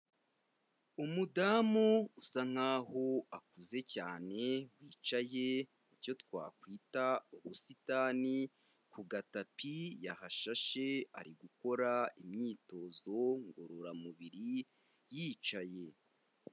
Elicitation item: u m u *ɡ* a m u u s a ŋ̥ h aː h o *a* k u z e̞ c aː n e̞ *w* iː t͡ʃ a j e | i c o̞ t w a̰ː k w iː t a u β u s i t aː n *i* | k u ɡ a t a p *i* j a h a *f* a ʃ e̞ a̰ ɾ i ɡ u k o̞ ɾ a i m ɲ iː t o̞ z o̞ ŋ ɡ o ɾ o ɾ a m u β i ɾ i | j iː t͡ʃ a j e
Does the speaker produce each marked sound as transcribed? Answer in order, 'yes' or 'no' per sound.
no, yes, yes, yes, yes, no

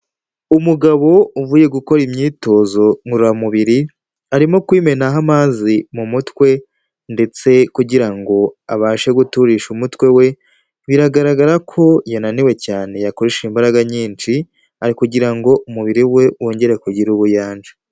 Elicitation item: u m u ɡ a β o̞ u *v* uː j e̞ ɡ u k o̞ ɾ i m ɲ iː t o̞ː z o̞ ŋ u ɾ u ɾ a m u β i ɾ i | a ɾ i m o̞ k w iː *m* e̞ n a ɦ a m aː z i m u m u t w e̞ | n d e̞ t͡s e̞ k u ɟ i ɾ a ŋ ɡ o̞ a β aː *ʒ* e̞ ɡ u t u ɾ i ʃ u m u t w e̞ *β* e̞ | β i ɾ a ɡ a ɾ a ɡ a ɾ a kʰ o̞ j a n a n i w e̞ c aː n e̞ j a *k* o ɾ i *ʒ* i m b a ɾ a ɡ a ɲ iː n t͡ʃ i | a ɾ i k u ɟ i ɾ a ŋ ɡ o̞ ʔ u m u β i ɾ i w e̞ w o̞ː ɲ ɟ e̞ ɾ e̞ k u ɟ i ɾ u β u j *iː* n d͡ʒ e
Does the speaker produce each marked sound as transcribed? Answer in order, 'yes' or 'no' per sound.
yes, yes, no, no, yes, no, no

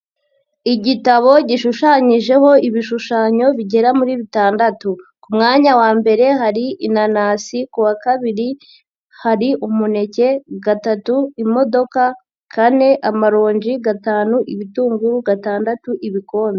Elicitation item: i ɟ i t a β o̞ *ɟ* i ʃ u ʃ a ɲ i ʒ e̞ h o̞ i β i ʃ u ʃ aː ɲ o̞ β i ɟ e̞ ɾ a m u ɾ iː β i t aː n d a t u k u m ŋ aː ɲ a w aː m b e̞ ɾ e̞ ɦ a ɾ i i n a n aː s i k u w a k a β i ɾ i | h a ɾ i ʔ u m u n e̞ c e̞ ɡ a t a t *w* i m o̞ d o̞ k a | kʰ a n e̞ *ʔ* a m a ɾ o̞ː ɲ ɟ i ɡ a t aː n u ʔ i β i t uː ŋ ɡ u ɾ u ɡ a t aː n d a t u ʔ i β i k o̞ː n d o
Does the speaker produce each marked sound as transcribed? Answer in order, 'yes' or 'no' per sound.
yes, no, yes

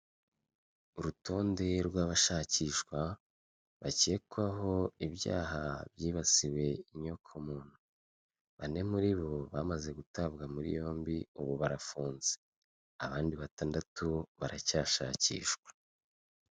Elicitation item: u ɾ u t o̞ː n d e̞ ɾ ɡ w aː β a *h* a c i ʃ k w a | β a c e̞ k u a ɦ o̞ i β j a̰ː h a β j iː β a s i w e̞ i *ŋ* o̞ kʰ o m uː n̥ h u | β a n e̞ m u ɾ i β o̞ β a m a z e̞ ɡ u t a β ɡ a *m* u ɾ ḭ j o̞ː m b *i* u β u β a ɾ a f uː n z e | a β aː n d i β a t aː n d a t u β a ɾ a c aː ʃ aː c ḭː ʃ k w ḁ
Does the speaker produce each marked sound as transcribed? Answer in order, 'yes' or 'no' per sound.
no, no, yes, yes

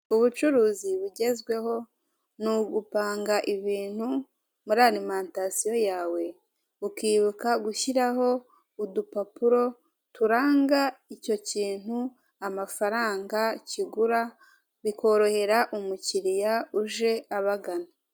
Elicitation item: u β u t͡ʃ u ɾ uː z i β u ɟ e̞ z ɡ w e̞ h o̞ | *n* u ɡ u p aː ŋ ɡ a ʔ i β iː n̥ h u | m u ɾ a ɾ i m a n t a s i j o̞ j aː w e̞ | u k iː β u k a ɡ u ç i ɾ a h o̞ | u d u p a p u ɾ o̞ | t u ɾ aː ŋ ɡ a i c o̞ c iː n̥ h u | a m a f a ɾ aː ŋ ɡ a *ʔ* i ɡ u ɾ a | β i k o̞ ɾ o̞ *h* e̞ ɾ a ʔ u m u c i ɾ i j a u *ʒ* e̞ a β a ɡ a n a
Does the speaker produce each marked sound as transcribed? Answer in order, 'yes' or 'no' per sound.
yes, no, yes, yes

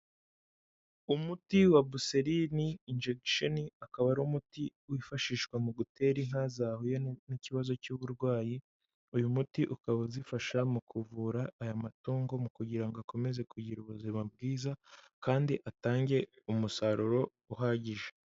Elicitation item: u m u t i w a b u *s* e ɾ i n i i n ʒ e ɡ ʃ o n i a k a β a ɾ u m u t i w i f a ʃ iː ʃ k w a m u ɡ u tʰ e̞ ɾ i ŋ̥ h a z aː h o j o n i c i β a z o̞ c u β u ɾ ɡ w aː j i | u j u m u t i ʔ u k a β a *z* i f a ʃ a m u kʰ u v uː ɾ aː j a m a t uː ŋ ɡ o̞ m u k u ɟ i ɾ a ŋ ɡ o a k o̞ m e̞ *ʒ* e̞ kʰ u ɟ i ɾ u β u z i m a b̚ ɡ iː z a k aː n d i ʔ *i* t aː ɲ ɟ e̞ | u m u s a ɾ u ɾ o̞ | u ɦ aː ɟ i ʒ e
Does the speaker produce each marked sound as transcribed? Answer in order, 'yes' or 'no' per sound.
yes, yes, no, no

